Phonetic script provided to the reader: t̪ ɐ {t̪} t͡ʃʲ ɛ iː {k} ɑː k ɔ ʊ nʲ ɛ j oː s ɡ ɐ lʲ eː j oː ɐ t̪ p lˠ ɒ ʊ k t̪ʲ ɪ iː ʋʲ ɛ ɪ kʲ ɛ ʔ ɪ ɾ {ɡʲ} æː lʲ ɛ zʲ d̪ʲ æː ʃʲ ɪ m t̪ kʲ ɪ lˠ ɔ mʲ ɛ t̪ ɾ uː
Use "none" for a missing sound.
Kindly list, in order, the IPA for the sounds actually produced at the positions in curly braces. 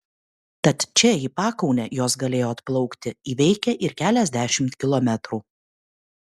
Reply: t̪, p, kʲ

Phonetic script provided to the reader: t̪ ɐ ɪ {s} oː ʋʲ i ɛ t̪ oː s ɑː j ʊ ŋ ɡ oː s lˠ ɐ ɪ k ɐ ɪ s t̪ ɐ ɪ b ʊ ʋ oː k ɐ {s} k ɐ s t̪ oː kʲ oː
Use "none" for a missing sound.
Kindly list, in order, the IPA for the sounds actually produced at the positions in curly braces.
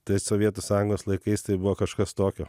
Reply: s, ʃ

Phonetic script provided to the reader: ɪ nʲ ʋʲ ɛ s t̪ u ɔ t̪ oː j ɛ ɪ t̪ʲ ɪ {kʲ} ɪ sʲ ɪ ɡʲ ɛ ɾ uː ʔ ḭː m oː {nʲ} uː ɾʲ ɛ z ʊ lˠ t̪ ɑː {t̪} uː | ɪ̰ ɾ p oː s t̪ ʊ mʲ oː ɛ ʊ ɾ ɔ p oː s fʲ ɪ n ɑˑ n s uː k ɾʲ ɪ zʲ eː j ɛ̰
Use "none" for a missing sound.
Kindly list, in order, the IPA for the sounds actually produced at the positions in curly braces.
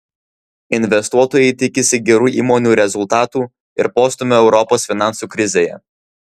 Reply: kʲ, nʲ, t̪

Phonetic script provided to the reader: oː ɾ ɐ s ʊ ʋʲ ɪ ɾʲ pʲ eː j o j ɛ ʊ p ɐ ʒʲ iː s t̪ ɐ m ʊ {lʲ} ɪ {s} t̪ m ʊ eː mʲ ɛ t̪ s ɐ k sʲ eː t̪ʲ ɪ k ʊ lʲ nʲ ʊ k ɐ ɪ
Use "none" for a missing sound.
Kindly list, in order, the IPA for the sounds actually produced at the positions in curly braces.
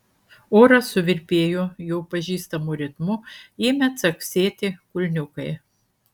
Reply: ɾʲ, none

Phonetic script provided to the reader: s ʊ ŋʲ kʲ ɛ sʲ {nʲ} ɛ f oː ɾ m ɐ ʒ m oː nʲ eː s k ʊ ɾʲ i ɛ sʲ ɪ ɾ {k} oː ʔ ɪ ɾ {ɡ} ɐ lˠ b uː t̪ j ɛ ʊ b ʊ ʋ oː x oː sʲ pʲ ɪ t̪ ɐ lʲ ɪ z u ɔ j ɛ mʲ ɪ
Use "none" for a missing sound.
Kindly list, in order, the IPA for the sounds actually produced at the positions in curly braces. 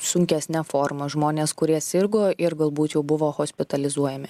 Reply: nʲ, ɡ, ɡ

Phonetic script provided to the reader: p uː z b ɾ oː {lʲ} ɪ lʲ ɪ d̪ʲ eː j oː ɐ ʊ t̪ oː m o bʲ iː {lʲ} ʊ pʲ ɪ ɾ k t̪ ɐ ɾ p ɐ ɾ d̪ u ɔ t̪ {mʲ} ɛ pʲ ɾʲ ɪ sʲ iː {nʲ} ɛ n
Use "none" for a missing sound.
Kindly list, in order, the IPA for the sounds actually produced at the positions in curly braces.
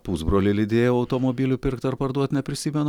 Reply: lʲ, lʲ, nʲ, mʲ

